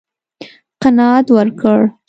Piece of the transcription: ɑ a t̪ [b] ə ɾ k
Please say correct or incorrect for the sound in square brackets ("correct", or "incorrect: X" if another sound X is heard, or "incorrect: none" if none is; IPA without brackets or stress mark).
incorrect: w